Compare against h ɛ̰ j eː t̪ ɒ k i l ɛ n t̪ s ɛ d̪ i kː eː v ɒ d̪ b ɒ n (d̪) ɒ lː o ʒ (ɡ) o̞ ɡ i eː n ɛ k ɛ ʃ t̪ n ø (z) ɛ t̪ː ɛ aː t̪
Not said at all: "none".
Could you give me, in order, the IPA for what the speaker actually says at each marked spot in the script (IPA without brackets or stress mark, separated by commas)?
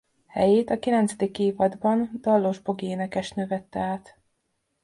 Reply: d̪, b, v